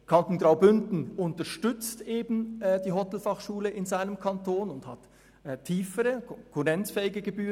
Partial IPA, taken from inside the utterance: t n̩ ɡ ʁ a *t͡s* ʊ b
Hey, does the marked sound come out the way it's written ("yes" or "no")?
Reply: no